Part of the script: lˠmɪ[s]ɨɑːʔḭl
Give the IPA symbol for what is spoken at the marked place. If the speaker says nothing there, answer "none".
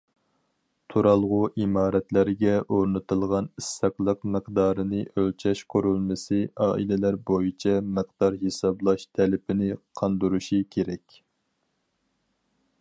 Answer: s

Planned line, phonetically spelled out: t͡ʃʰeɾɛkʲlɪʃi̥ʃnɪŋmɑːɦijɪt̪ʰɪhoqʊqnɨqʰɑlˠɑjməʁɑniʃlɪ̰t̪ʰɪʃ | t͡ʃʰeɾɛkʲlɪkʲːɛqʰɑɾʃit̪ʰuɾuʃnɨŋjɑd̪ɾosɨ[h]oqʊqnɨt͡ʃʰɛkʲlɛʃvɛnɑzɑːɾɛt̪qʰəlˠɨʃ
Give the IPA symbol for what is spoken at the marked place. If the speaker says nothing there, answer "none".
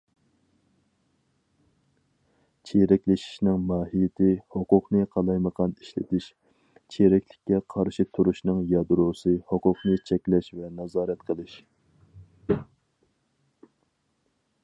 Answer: h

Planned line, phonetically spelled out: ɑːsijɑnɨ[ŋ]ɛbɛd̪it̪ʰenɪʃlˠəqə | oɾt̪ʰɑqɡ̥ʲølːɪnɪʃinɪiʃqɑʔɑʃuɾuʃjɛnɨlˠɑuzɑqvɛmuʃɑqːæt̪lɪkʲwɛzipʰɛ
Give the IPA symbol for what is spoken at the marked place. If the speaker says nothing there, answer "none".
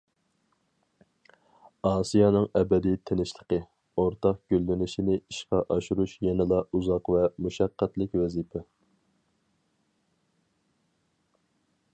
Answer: ŋ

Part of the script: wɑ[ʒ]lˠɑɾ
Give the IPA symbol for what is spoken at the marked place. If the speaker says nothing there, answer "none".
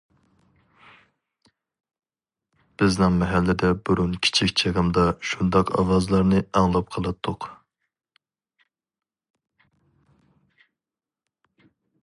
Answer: z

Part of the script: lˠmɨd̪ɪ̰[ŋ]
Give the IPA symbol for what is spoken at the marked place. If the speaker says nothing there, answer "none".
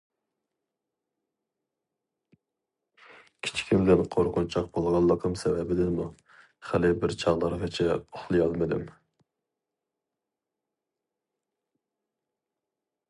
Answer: m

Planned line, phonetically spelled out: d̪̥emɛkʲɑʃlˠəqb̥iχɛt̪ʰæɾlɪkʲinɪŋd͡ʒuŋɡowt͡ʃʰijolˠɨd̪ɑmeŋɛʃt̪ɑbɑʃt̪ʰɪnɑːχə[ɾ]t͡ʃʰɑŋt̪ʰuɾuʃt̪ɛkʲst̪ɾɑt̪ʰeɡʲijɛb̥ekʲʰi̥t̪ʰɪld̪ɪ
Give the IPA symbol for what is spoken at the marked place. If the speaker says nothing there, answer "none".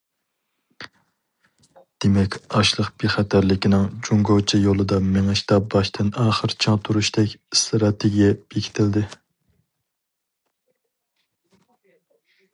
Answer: ɾ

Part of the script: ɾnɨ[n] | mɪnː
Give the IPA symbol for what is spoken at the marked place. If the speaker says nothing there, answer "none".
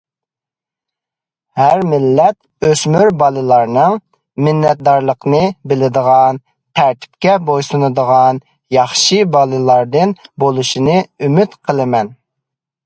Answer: ŋ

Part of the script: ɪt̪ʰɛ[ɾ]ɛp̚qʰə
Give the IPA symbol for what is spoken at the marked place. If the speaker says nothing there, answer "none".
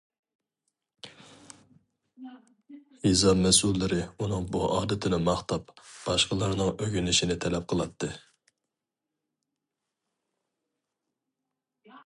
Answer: l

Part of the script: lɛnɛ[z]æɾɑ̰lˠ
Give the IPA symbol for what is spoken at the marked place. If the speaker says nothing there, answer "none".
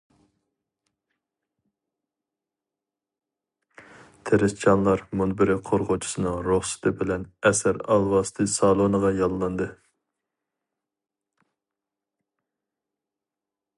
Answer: s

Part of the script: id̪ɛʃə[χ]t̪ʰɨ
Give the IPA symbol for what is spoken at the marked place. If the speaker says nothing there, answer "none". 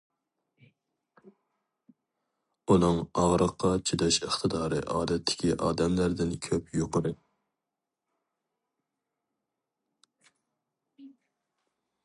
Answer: χ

